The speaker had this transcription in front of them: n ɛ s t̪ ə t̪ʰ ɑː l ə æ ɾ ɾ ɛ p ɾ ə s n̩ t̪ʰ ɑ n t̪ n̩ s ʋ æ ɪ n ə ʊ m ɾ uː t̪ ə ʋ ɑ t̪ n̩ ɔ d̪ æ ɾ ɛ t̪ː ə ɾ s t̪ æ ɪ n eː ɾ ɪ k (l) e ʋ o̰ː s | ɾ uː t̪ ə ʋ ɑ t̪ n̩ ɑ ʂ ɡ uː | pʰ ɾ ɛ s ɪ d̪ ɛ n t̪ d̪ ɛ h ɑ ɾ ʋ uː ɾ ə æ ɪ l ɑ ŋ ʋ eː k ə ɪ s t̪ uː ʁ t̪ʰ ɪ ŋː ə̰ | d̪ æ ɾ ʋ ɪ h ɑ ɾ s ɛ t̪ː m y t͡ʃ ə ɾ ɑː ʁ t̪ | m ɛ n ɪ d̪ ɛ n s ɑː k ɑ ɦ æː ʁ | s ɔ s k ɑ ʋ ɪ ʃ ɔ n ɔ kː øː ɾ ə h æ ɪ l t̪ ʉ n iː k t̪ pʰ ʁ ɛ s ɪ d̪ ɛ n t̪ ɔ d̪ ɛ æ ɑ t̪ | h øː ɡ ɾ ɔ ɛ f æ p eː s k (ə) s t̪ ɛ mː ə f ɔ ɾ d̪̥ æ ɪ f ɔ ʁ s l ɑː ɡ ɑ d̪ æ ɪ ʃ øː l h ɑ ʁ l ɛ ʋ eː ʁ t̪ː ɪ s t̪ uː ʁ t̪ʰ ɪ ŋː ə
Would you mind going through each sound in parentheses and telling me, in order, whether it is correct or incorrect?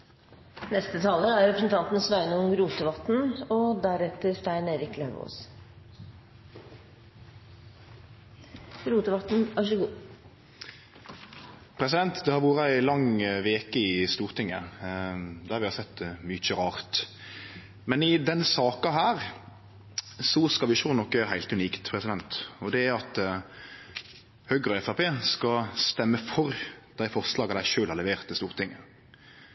correct, incorrect: ɑ

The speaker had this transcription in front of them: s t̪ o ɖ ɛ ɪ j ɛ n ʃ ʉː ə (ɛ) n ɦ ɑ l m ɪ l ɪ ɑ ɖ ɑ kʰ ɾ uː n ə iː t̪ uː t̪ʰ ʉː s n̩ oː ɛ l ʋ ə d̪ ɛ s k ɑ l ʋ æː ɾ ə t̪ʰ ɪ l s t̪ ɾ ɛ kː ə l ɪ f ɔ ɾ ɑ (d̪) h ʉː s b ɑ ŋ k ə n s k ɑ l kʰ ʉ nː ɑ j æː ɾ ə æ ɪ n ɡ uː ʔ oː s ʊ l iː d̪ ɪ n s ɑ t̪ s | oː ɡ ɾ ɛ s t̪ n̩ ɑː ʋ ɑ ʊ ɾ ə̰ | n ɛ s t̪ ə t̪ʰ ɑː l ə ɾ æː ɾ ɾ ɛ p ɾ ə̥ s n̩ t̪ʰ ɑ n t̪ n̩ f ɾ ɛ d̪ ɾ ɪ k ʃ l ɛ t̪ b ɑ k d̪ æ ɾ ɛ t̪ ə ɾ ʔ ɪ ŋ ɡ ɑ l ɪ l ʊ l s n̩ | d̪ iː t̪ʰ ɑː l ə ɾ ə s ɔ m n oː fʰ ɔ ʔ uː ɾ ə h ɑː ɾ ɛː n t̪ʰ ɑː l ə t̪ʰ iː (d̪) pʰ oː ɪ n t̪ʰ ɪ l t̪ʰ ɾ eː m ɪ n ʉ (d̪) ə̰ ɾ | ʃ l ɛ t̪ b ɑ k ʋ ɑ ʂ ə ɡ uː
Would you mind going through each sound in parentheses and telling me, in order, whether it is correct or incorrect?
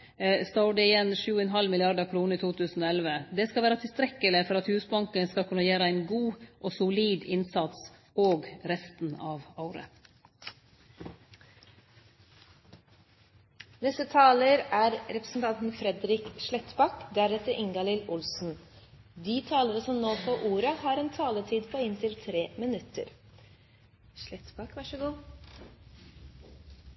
correct, incorrect: t̪, correct, incorrect: t̪

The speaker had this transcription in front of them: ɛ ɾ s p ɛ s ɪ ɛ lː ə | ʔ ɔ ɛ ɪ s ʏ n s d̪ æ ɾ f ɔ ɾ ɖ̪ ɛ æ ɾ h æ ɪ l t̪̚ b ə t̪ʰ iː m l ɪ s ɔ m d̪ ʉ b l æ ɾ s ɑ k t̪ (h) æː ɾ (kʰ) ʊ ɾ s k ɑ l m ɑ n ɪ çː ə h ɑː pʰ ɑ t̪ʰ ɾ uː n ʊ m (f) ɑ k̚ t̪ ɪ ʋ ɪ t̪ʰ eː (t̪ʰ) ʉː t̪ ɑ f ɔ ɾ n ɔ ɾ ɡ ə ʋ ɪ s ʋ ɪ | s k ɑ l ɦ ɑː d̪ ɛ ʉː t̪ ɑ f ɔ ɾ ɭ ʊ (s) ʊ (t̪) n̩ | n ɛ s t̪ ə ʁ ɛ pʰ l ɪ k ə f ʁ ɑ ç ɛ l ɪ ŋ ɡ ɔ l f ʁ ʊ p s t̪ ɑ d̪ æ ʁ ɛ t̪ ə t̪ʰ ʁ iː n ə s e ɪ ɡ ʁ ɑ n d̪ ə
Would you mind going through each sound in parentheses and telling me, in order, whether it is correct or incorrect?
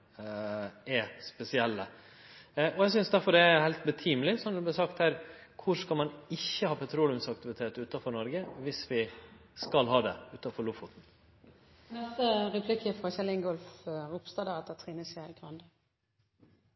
correct, correct, incorrect: s, incorrect: t̪, incorrect: f, correct

